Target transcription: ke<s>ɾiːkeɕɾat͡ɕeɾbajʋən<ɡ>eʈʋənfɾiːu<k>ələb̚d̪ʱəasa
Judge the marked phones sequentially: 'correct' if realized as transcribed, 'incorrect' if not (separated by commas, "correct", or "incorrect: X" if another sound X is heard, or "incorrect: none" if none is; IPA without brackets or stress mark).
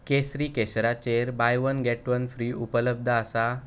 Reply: correct, correct, incorrect: p